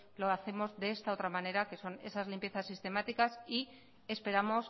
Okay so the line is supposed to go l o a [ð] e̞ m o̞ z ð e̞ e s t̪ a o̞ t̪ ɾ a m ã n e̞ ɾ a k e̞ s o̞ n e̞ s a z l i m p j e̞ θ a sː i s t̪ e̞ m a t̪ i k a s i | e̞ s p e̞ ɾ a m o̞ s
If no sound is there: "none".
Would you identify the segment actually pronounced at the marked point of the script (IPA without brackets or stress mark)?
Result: θ